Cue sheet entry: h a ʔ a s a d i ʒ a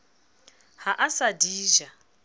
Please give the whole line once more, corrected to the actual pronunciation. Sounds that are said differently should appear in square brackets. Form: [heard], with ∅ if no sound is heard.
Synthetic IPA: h a ʔ a s a d [iː] ʒ a